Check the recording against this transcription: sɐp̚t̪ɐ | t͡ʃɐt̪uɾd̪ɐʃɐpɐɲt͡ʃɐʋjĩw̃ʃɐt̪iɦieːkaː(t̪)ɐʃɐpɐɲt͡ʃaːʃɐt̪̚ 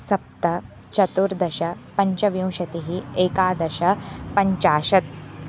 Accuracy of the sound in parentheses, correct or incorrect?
incorrect